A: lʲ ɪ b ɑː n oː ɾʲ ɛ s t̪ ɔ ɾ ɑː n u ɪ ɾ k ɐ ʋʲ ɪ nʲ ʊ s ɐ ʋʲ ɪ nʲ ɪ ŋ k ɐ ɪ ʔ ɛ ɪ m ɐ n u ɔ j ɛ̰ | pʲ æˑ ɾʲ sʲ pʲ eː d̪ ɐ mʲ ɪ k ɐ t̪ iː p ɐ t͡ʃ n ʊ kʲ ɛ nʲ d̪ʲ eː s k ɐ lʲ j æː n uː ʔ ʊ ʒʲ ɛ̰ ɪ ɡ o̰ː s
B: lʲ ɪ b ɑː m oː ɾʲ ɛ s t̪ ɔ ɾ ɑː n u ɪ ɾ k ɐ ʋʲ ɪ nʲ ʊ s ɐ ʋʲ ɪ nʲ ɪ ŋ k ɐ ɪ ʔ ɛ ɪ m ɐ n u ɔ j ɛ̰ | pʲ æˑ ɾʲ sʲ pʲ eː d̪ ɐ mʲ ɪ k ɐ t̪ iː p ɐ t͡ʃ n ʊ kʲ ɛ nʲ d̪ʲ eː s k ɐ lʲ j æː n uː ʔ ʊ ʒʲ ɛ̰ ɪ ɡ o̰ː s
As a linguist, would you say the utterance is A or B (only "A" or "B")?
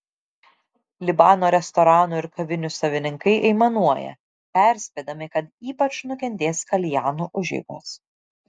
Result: A